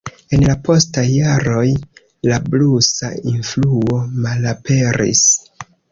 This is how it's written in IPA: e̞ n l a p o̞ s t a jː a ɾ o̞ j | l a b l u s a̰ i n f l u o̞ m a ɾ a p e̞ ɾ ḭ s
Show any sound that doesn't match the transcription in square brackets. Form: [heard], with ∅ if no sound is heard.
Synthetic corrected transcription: e̞ n l a p o̞ s t a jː a ɾ o̞ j | l a b l u s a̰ i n f l u o̞ m a [l] a p e̞ ɾ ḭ s